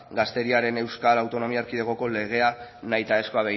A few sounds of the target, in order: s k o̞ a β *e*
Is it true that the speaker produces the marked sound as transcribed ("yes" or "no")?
yes